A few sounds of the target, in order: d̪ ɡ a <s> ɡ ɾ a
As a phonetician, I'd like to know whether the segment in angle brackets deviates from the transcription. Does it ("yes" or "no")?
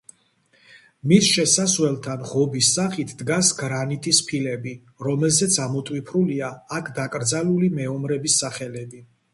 no